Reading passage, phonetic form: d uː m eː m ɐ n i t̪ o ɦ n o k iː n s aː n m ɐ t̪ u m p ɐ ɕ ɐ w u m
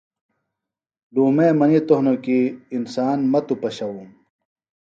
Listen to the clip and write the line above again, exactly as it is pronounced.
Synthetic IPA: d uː m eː m ɐ n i t̪ o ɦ n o k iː n s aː n m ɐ t̪ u p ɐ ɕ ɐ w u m